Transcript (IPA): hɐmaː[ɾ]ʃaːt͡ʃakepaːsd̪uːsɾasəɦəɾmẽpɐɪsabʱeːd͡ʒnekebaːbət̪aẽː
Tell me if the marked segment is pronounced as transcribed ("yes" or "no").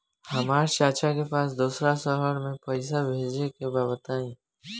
yes